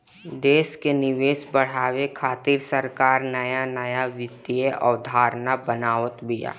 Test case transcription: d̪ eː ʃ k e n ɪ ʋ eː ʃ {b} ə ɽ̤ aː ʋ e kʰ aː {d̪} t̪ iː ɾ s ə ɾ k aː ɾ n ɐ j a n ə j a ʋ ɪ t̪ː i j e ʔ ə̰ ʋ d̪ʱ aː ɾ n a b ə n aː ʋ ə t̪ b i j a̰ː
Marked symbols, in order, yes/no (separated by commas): yes, no